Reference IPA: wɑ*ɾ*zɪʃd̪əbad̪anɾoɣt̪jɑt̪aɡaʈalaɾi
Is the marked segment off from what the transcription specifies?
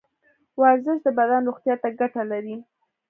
no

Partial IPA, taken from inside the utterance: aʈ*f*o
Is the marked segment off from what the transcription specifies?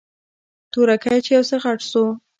yes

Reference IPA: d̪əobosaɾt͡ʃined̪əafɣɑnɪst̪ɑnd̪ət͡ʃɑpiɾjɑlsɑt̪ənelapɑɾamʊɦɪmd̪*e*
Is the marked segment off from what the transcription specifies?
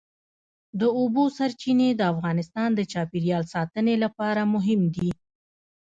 yes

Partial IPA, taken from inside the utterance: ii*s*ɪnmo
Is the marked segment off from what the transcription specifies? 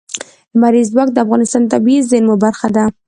yes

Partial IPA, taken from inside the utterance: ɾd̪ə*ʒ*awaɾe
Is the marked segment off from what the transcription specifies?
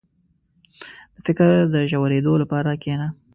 no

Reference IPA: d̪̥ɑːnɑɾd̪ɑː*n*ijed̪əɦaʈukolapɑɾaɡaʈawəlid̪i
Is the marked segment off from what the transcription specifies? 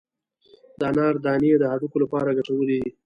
no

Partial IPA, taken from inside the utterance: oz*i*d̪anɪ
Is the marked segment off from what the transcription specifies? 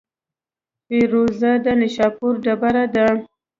yes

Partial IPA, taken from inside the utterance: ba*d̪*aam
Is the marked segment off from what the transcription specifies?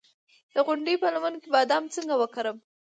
no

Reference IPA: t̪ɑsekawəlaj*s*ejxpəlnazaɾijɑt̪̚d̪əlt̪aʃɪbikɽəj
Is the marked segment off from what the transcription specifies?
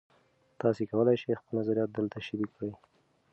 yes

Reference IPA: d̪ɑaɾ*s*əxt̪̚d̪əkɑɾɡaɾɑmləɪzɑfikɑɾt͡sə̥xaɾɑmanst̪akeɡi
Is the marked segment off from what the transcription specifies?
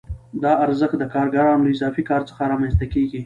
yes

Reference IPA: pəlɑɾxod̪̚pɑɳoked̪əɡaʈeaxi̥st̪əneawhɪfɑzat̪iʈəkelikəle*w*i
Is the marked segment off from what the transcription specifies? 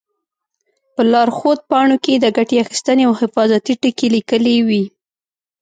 no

